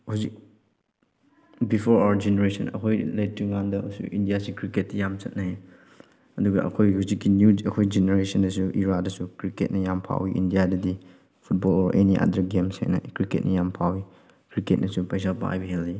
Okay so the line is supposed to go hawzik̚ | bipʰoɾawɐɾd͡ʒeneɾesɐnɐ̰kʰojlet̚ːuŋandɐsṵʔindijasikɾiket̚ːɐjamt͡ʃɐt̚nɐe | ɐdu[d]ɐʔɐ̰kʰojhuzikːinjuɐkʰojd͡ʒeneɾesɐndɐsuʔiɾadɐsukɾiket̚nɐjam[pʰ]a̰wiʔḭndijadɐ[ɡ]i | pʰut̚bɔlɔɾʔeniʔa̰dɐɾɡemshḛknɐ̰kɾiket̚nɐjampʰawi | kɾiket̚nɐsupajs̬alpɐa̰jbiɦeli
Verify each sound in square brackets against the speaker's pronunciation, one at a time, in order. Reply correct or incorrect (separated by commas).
incorrect, correct, incorrect